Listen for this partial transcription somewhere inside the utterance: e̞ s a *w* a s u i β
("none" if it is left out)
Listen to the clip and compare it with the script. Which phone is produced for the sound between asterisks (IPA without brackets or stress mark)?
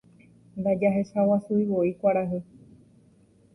w